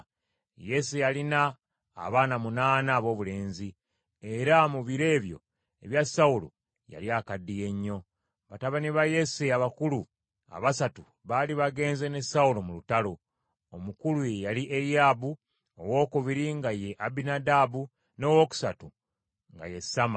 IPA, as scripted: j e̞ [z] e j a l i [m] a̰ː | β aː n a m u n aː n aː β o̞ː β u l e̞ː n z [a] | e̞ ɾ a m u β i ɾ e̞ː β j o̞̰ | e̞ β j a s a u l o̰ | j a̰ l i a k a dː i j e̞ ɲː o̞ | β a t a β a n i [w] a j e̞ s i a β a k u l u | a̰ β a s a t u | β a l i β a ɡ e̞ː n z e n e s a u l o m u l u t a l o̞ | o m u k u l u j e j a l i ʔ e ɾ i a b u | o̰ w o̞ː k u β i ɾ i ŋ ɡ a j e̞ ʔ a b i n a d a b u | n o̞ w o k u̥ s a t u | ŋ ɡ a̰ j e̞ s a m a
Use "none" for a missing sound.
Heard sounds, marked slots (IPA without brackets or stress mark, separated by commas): s, n, i, β